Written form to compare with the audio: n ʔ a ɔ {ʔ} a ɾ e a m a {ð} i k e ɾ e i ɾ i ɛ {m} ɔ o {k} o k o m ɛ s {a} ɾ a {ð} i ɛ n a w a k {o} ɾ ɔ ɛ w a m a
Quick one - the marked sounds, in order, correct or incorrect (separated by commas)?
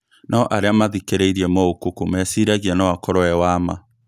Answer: correct, correct, correct, correct, incorrect, incorrect, incorrect